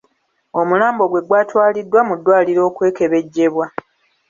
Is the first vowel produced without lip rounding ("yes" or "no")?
no